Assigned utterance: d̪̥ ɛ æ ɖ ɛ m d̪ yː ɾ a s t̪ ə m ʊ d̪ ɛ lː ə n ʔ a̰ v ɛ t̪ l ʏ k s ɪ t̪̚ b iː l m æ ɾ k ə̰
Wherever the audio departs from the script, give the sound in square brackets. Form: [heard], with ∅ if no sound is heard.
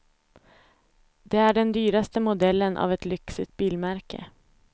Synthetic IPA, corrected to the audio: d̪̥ ɛ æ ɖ ɛ [n] d̪ yː ɾ a s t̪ ə m ʊ d̪ ɛ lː ə n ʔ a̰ v ɛ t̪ l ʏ k s ɪ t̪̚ b iː l m æ ɾ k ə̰